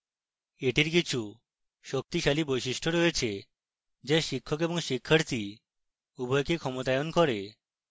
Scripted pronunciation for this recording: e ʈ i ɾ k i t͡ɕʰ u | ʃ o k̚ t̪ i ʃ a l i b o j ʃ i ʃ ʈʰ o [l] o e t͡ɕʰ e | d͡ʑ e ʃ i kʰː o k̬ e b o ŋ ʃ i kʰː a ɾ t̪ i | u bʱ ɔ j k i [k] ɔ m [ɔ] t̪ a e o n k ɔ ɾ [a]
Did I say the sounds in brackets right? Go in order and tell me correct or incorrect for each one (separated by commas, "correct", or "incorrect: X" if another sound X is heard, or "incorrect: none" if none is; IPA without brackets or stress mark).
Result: incorrect: ɾ, incorrect: kʰ, incorrect: o, incorrect: e